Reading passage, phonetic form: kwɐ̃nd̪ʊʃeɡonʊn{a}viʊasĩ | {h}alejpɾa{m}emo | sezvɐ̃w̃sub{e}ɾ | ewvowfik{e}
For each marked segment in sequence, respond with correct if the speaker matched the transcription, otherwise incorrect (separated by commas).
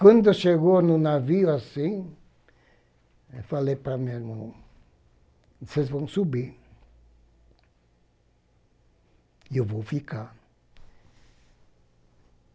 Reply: correct, incorrect, correct, incorrect, incorrect